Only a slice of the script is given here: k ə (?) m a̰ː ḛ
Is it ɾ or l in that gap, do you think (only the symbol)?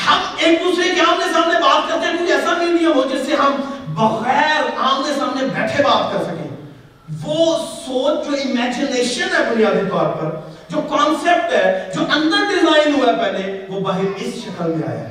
l